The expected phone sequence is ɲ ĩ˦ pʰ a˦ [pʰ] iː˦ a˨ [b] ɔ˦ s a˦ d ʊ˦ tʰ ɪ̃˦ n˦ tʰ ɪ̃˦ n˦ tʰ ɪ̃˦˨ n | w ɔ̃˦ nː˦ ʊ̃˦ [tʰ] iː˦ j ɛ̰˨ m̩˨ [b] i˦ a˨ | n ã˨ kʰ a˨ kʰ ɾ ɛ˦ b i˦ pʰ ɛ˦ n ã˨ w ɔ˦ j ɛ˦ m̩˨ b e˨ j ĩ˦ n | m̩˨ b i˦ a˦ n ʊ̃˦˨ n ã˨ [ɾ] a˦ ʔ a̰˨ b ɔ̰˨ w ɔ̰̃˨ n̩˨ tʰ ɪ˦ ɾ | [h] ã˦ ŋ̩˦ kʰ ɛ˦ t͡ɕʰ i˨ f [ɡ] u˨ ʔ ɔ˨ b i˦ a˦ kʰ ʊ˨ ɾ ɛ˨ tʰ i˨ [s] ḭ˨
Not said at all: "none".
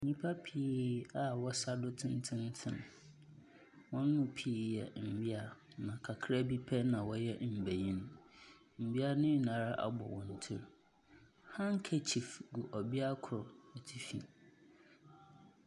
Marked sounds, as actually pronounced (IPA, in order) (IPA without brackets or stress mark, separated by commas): pʰ, w, pʰ, b, ɾ, h, ɡ, f